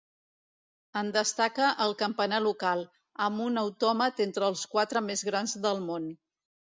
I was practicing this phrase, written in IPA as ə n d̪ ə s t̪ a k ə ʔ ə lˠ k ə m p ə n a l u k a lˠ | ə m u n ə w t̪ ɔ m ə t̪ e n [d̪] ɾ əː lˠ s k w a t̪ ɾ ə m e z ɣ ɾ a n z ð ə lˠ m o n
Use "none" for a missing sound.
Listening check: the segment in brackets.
t̪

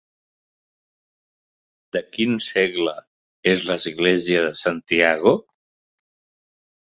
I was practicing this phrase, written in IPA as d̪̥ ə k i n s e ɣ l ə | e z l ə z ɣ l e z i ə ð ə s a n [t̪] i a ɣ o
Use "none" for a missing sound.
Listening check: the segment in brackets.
t̪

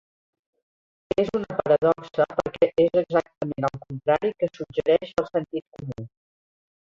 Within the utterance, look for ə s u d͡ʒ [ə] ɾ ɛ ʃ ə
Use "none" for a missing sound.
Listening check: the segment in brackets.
ə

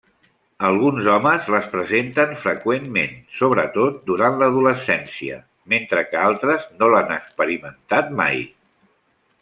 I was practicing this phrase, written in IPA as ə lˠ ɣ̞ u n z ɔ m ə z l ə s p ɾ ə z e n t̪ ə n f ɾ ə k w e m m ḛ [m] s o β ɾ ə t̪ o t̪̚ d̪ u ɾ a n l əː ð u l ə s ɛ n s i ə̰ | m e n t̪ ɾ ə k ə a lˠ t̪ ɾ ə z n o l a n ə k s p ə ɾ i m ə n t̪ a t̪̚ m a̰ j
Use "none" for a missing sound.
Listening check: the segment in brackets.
n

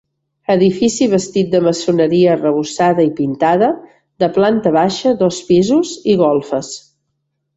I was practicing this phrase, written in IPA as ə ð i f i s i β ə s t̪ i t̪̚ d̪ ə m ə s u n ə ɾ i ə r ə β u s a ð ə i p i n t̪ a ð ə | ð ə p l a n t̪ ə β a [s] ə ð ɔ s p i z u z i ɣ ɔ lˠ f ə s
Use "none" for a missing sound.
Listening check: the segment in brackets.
ʃ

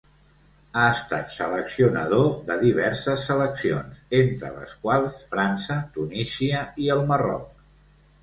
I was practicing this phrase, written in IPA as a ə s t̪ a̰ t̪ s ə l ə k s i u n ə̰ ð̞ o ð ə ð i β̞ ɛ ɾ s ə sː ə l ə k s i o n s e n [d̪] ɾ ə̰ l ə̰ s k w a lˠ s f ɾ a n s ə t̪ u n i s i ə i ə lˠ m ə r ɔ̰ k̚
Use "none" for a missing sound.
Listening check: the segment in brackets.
t̪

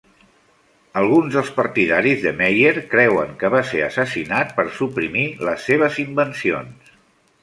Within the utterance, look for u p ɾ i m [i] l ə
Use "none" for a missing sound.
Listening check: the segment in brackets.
i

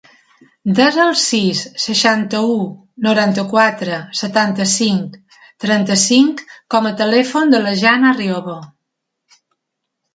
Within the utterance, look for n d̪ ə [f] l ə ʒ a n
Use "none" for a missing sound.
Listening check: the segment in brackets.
none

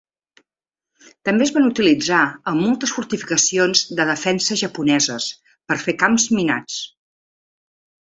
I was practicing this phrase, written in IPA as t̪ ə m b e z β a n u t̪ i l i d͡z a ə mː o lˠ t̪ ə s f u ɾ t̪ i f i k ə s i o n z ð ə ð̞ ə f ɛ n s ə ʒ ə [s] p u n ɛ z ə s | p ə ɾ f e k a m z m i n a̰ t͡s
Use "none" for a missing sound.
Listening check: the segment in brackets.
none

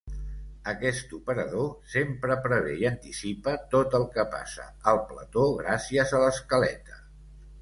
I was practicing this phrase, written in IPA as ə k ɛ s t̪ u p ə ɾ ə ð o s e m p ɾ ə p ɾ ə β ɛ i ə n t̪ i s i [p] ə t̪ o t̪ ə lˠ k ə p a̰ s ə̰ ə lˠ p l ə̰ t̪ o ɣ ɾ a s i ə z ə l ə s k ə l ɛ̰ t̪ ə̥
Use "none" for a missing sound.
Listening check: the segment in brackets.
p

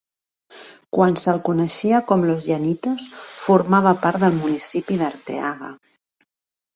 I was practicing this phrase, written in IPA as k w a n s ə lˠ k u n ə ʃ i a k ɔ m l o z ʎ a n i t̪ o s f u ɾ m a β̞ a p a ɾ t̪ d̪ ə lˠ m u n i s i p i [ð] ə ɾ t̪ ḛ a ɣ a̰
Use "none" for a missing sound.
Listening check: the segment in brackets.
ð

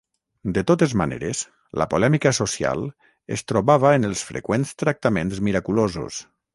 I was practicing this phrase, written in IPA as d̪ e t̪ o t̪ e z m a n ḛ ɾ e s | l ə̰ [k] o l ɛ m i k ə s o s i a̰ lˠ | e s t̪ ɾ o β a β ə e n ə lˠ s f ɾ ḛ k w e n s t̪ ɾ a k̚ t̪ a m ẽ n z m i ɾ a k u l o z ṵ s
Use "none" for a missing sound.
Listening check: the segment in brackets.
p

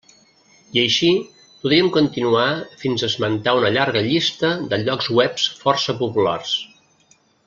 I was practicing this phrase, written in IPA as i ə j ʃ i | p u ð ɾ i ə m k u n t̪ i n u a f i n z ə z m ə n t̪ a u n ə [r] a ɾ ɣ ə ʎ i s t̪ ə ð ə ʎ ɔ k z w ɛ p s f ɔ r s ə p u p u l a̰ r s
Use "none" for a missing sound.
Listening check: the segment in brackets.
ʎ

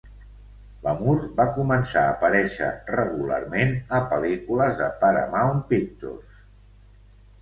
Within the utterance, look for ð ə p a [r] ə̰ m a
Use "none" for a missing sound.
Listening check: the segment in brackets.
ɾ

